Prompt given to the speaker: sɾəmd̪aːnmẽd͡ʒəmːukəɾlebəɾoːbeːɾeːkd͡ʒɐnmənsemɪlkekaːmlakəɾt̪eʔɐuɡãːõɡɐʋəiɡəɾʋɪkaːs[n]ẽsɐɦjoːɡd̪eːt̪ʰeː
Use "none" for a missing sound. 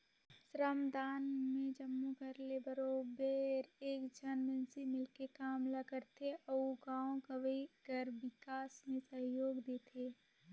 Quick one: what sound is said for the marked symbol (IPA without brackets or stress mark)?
m